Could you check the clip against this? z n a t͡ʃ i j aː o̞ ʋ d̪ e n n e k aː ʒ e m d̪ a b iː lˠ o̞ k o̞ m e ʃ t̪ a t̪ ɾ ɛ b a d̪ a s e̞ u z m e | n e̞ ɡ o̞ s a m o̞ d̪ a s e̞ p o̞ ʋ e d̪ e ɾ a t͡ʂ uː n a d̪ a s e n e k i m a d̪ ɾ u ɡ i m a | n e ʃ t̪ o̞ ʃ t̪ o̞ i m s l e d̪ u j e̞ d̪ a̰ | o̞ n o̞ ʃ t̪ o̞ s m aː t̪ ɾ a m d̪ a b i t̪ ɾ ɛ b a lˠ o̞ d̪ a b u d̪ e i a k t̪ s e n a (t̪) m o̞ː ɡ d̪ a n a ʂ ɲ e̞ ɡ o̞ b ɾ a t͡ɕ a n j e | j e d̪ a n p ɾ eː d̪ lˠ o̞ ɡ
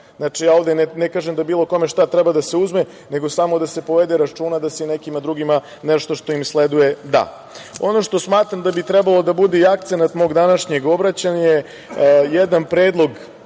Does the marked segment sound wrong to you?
no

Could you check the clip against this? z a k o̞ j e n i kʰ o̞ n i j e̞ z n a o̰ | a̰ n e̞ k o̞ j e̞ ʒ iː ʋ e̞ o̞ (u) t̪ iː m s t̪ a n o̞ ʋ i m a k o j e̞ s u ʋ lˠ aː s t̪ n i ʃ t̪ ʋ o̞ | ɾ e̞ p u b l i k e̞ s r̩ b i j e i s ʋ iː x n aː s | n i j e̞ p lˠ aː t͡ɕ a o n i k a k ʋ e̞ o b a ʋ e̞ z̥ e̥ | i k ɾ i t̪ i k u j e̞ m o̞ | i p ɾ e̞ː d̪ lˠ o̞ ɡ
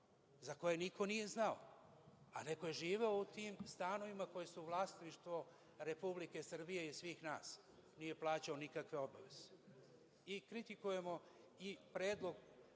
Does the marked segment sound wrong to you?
no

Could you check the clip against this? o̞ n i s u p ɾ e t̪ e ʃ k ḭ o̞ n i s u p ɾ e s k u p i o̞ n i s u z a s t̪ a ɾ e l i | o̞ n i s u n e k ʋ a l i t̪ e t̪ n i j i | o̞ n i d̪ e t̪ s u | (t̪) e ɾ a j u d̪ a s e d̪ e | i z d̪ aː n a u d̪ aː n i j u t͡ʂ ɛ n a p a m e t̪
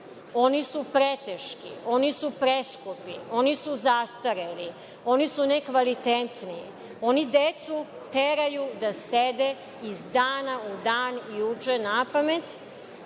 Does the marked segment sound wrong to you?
no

